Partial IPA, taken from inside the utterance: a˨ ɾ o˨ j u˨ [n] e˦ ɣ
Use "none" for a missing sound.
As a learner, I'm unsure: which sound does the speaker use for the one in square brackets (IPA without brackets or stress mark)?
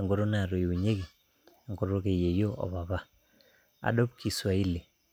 ɲ